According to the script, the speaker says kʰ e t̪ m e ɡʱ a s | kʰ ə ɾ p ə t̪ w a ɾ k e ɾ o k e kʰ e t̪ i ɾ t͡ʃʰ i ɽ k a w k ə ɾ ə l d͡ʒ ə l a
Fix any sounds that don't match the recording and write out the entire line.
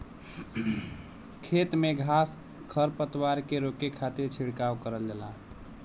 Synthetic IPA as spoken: kʰ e t̪ m e ɡʱ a s | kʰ ə ɾ p ə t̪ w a ɾ k e ɾ o k e kʰ a t̪ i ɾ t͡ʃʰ i ɽ k a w k ə ɾ ə l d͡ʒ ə l a